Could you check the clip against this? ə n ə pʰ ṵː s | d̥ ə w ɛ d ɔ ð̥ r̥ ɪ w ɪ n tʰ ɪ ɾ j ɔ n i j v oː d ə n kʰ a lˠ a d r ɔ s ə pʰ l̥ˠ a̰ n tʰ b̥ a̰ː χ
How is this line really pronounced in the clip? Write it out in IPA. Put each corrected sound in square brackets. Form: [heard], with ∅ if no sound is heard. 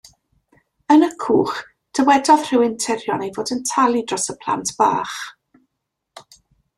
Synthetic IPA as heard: ə n ə [kʰ] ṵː [χ] | d̥ ə w ɛ d ɔ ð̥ r̥ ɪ w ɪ n tʰ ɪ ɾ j ɔ n [e] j v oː d ə n [tʰ] a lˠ [i] d r ɔ s ə pʰ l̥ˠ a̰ n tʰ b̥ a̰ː χ

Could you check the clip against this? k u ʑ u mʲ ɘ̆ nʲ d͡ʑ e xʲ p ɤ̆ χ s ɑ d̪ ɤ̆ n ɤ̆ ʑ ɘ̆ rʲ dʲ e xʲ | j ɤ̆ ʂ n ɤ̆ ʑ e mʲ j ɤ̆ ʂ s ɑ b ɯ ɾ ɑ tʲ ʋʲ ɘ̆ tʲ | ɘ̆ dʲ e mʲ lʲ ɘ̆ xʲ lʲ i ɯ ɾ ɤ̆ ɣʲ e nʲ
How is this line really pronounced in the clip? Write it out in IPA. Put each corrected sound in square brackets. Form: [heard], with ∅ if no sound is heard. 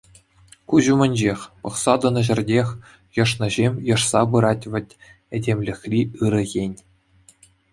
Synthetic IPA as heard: k u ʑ u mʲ ɘ̆ nʲ d͡ʑ e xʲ p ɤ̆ χ s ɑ d̪ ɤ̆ n ɤ̆ ʑ ɘ̆ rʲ dʲ e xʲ | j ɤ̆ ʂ n ɤ̆ ʑ e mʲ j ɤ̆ ʂ s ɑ b ɯ ɾ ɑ tʲ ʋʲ ɘ̆ tʲ | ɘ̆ dʲ e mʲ lʲ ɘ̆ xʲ lʲ i ɯ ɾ ɤ̆ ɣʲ e nʲ

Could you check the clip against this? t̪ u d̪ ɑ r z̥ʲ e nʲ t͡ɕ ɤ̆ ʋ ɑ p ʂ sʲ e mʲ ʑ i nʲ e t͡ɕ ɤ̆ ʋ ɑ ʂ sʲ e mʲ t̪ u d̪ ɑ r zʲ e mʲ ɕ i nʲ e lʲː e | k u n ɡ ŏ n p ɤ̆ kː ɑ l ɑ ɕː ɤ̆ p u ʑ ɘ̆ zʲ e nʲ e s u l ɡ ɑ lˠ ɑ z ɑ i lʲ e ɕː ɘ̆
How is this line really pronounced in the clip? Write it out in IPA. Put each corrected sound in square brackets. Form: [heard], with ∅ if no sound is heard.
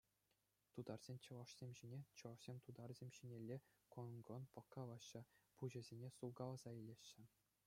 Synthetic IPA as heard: t̪ u d̪ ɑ r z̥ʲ e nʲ t͡ɕ ɤ̆ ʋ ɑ [∅] ʂ sʲ e mʲ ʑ i nʲ e t͡ɕ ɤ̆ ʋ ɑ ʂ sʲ e mʲ t̪ u d̪ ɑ r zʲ e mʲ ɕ i nʲ e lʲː e | k [o] n ɡ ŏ n p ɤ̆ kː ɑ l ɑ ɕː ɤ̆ p u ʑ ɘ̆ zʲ e nʲ e s u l ɡ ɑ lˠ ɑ z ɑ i lʲ e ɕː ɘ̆

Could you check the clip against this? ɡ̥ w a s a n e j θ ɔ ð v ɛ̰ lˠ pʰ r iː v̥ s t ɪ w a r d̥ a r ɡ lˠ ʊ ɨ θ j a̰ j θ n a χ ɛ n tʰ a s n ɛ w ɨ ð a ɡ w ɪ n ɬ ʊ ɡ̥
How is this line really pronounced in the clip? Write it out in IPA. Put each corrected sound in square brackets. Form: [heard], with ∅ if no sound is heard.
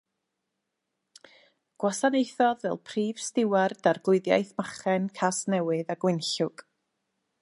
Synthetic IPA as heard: ɡ̥ w a s a n e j θ ɔ ð v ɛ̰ lˠ pʰ r iː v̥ s t ɪ w a r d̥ a r ɡ lˠ ʊ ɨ [ð] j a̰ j θ [m] a χ ɛ n [kʰ] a s n ɛ w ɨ ð a ɡ w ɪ n ɬ ʊ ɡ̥

